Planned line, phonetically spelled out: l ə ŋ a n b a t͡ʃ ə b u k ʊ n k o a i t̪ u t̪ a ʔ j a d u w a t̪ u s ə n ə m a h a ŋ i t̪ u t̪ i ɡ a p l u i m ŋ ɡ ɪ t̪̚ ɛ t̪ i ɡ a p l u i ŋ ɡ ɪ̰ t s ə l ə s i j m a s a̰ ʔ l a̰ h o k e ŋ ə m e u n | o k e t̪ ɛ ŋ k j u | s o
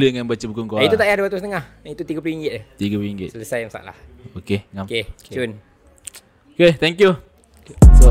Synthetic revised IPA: l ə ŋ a n b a t͡ʃ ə b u k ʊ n k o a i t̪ u t̪ a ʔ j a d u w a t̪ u s ə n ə ŋ a h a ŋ i t̪ u t̪ i ɡ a p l u i ŋ ɡ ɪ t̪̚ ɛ t̪ i ɡ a p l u i ŋ ɡ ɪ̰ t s ə l ə s a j m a s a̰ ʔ l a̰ h o k e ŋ a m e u n | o k e t̪ ɛ ŋ k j u | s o